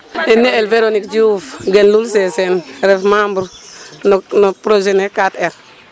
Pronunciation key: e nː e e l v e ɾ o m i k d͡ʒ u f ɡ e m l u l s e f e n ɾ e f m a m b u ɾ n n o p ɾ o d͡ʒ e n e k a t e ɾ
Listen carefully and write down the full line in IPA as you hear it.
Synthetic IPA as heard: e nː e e l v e ɾ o n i k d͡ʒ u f ɡ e n l u l s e s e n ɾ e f m a m b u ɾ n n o p ɾ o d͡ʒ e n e k a t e ɾ